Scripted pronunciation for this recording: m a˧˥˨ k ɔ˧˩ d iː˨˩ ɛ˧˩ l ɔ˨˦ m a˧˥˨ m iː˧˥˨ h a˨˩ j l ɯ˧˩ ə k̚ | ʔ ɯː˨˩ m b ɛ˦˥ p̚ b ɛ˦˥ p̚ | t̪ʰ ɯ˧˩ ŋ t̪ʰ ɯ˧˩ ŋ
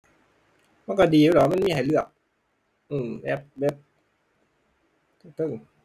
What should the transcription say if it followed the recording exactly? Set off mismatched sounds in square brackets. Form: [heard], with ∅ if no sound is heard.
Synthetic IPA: m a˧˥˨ k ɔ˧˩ d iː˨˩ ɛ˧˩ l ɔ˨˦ m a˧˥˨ m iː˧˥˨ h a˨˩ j l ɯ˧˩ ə k̚ | ʔ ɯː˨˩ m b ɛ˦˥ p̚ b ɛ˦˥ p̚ | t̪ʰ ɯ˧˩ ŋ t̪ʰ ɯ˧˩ ŋ

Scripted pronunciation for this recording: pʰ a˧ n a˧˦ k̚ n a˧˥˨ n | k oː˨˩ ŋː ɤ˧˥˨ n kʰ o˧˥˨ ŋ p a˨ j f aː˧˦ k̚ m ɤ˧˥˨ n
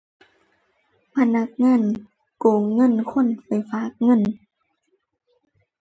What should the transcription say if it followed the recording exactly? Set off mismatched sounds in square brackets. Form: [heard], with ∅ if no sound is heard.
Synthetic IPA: pʰ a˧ n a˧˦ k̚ [ŋ] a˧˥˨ n | k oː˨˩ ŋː ɤ˧˥˨ n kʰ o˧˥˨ [n] p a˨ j f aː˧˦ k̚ [ŋ] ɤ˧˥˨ n

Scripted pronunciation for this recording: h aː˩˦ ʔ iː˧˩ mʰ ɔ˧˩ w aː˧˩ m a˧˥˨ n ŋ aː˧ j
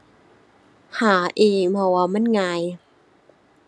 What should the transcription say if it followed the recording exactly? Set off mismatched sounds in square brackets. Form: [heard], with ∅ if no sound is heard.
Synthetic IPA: h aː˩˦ ʔ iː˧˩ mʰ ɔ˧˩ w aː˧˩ m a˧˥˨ n ŋ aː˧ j

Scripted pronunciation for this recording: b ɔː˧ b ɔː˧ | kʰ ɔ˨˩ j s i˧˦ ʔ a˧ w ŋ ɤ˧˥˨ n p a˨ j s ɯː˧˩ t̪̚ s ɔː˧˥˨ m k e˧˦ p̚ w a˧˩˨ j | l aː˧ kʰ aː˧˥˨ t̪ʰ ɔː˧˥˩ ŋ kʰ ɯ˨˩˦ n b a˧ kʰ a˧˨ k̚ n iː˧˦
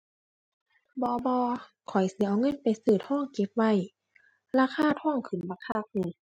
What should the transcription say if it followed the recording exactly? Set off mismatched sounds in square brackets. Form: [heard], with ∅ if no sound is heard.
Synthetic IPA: b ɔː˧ b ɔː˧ | kʰ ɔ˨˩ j s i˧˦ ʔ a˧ w ŋ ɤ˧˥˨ n p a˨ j s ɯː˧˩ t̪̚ [h] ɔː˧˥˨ [ŋ] k e˧˦ p̚ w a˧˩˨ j | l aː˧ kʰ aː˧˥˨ t̪ʰ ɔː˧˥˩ ŋ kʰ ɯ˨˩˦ n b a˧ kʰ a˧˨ k̚ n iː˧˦

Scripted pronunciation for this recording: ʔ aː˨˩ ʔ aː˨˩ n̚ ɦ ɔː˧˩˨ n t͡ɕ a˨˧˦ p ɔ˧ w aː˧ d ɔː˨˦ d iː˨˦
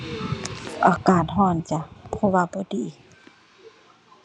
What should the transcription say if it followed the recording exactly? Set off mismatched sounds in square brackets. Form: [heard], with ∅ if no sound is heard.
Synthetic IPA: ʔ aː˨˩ [k] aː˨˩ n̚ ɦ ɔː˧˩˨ n t͡ɕ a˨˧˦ [pʰ] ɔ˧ w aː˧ [b] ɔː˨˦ d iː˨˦

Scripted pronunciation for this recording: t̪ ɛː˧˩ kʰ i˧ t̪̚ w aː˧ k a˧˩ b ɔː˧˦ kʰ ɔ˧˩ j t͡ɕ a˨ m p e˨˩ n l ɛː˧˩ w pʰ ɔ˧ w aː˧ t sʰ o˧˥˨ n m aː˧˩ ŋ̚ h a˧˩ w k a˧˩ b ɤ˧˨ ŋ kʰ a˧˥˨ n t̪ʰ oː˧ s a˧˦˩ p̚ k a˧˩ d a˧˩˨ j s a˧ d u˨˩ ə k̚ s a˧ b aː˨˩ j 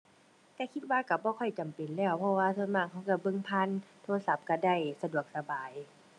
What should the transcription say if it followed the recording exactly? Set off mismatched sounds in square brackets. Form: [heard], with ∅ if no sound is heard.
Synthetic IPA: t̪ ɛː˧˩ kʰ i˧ t̪̚ w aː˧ k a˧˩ b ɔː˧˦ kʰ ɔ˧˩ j t͡ɕ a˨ m p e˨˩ n l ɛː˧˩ w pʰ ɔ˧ w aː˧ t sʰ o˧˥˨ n m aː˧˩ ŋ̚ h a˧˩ w k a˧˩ b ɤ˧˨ ŋ [pʰ] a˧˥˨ n t̪ʰ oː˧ s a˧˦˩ p̚ k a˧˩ d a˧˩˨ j s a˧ d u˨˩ ə k̚ s a˧ b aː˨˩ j

